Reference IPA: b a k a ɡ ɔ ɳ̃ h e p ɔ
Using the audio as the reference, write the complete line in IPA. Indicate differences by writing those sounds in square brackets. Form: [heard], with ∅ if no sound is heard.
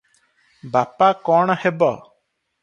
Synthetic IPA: b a [p] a [k] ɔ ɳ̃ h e [b] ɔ